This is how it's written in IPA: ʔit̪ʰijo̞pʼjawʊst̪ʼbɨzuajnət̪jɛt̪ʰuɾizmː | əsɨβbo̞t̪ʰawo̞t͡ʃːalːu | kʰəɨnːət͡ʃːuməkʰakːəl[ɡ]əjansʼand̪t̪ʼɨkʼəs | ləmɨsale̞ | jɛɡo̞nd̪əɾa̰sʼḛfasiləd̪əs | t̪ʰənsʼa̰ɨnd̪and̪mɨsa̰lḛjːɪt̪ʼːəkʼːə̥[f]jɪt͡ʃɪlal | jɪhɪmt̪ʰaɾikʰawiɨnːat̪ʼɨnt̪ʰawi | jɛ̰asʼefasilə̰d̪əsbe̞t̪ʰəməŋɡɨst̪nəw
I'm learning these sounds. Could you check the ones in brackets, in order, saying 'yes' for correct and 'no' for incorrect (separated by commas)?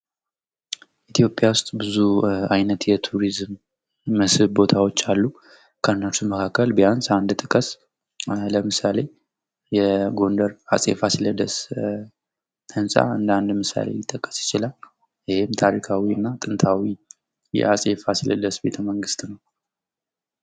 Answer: no, no